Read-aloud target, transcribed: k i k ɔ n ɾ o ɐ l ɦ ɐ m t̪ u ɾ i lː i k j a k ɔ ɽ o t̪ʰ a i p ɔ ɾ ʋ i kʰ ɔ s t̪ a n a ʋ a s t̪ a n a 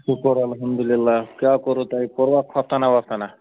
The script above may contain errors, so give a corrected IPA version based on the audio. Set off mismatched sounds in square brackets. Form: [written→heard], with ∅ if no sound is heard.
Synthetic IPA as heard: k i k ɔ [n→∅] ɾ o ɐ l ɦ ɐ m [t̪→d̪] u [ɾ→l] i lː [i→a] k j a k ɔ [ɽ→ɾ] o [t̪ʰ→t̪] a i p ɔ ɾ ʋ [i→a] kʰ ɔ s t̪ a n a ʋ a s t̪ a n a